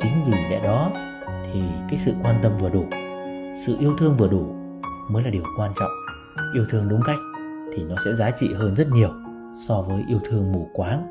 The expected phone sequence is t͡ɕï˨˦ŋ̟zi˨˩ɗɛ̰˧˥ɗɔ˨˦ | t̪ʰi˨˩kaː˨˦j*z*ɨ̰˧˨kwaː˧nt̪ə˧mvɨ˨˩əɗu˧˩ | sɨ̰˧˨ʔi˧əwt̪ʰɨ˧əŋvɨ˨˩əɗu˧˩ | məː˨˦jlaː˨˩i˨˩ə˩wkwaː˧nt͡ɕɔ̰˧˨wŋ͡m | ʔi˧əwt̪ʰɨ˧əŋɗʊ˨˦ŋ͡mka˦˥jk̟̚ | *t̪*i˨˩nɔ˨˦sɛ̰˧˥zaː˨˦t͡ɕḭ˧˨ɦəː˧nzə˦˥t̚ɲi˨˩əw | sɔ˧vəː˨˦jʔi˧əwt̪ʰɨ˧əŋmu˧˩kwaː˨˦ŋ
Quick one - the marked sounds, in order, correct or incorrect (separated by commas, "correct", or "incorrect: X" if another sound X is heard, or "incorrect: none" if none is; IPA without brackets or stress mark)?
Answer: incorrect: s, incorrect: t̪ʰ